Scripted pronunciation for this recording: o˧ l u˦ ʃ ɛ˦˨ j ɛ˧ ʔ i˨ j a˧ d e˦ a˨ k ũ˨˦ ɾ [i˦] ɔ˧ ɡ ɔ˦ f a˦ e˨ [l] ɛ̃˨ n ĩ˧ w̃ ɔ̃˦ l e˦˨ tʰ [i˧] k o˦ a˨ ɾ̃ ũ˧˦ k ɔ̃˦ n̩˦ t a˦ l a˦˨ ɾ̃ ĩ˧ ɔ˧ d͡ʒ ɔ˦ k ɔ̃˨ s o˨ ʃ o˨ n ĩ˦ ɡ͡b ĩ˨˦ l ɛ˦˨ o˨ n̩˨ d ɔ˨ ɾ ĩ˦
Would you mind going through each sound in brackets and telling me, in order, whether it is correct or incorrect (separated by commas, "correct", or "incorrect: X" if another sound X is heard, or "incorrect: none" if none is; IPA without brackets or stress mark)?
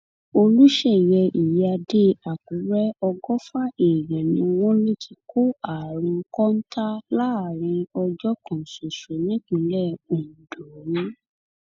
incorrect: ɛ˦, incorrect: ɾ, correct